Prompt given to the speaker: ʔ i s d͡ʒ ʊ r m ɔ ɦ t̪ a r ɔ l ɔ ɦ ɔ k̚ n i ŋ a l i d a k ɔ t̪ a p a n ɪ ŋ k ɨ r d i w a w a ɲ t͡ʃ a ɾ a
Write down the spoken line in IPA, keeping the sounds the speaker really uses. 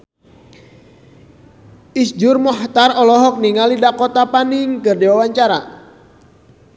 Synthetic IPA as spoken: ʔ i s d͡ʒ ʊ r m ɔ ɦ t̪ a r ɔ l ɔ ɦ ɔ k̚ n i ŋ a l i d a k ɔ t̪ a p a n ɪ ŋ k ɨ r d i w a w a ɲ t͡ʃ a ɾ a